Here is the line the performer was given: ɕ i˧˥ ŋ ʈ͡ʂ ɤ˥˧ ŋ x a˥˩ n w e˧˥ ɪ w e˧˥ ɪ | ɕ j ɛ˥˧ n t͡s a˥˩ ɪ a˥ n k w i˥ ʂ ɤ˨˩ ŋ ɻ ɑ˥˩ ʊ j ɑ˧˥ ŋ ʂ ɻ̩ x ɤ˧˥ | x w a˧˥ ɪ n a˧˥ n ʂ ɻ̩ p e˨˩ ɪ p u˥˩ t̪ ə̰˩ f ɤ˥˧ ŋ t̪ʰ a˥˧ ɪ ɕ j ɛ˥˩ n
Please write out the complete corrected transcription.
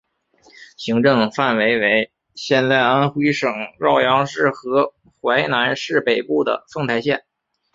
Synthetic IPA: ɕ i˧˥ ŋ ʈ͡ʂ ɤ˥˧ ŋ f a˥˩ n w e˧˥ ɪ w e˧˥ ɪ | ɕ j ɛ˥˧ n t͡s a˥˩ ɪ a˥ n x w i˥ ʂ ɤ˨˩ ŋ ɻ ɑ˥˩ ʊ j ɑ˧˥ ŋ ʂ ɻ̩ x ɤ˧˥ | x w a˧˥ ɪ n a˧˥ n ʂ ɻ̩ p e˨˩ ɪ p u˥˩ d̪ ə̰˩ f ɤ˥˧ ŋ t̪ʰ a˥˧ ɪ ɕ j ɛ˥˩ n